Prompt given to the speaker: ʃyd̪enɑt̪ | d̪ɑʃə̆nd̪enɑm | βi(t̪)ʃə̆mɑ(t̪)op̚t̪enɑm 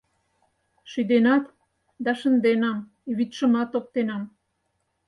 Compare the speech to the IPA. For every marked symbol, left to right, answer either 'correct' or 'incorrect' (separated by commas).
correct, correct